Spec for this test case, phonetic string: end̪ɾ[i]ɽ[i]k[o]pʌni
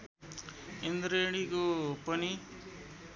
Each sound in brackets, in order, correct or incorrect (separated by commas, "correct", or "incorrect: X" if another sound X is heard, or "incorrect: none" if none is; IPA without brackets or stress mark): incorrect: e, correct, correct